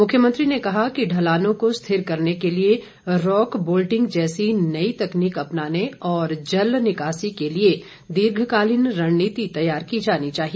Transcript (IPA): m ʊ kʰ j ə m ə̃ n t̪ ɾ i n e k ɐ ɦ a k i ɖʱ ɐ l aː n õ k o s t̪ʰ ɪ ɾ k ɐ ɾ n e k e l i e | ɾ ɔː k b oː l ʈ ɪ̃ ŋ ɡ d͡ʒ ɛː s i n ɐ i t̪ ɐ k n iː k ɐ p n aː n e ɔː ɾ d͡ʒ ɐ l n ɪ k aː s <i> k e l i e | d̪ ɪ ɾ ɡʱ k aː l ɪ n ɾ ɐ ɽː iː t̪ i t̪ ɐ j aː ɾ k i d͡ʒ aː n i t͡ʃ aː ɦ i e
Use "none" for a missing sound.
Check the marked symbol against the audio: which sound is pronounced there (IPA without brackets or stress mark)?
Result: i